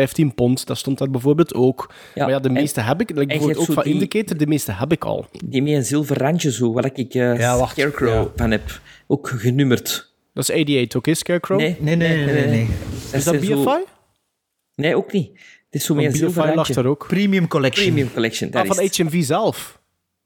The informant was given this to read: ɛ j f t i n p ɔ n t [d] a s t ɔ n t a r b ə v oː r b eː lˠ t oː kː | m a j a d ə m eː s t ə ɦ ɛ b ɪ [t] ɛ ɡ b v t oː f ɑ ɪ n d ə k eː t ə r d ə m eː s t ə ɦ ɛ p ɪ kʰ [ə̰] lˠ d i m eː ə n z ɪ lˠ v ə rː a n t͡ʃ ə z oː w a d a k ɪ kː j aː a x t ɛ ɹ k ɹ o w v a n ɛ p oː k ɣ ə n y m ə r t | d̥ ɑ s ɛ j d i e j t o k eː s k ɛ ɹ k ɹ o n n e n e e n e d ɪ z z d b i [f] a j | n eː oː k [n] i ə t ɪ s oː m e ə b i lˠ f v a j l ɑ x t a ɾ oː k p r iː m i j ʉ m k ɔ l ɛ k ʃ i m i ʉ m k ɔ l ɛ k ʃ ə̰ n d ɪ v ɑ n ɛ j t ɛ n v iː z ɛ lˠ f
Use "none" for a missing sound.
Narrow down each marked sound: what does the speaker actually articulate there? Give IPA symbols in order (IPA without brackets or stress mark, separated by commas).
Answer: d, k, ɑ̰, f, n